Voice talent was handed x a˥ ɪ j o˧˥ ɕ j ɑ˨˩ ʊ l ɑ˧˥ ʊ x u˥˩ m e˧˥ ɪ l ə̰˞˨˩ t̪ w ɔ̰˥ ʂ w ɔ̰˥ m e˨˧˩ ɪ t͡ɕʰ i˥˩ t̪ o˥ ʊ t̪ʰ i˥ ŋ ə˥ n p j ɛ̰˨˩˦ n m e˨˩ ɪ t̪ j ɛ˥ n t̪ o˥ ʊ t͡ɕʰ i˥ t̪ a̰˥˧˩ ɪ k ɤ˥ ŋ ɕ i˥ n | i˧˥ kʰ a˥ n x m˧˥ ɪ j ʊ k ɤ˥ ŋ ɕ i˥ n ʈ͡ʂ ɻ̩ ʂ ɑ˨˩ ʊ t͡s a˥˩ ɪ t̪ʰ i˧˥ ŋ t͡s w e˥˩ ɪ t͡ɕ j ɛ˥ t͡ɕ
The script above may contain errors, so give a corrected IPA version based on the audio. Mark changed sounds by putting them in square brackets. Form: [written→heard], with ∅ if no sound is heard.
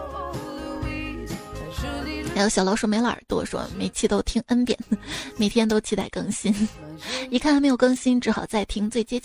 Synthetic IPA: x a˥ ɪ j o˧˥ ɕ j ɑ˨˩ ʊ l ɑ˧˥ ʊ [x→ʂ] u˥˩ m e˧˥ ɪ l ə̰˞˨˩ t̪ w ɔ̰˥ ʂ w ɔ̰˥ m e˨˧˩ ɪ t͡ɕʰ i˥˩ t̪ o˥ ʊ t̪ʰ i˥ ŋ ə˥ n p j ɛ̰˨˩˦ n m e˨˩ ɪ [t̪→t̪ʰ] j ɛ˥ n t̪ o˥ ʊ t͡ɕʰ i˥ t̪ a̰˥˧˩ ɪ k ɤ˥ ŋ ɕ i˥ n | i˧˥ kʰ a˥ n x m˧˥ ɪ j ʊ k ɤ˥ ŋ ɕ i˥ n ʈ͡ʂ ɻ̩ [ʂ→x] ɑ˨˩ ʊ t͡s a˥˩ ɪ t̪ʰ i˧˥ ŋ t͡s w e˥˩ ɪ t͡ɕ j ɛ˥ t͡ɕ